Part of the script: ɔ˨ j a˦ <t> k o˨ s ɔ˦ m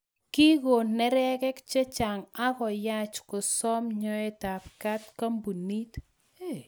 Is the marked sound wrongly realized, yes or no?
yes